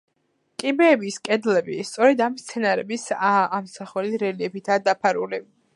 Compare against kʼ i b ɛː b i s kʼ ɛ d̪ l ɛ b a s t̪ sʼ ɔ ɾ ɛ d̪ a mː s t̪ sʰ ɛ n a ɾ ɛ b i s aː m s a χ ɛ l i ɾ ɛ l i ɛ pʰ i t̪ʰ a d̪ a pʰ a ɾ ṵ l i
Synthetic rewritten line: kʼ i b ɛː b i s kʼ ɛ d̪ l ɛ b i s t̪ sʼ ɔ ɾ ɛ d̪ a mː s t̪ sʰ ɛ n a ɾ ɛ b i s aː m s a χ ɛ l i ɾ ɛ l i ɛ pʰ i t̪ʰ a d̪ a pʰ a ɾ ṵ l i